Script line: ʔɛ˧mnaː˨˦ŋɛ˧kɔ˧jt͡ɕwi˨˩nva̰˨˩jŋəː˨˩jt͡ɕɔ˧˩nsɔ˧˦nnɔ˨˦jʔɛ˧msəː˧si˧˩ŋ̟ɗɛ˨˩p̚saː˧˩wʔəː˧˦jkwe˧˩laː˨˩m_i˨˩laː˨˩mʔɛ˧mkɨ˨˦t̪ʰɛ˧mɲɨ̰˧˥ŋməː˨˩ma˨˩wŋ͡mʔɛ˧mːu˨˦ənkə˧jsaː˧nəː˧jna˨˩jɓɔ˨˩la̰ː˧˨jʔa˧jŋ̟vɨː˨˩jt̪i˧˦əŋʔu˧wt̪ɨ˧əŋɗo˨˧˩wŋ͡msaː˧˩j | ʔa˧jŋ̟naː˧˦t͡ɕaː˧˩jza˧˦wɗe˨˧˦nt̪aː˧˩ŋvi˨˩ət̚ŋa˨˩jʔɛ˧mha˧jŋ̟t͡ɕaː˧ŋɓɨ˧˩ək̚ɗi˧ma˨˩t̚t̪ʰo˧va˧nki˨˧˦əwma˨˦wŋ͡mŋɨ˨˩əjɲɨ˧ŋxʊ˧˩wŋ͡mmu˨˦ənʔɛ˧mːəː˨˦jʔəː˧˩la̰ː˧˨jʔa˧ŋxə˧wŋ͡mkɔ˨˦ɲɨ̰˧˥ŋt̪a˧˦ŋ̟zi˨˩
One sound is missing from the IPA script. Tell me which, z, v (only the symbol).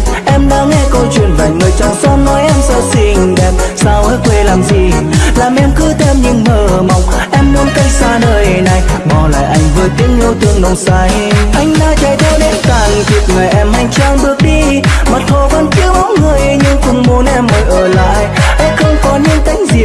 z